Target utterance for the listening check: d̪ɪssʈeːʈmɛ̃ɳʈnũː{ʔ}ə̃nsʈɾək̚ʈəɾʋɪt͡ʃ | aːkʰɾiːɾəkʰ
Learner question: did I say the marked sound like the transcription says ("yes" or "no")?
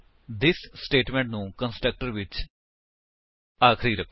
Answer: no